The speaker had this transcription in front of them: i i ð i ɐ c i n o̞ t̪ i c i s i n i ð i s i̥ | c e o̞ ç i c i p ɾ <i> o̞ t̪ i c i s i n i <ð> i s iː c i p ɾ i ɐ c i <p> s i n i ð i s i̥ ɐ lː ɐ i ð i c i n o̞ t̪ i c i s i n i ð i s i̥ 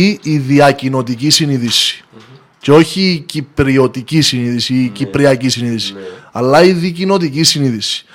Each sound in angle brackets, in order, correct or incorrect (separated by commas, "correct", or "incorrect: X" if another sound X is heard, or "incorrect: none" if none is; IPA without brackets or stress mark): correct, correct, incorrect: none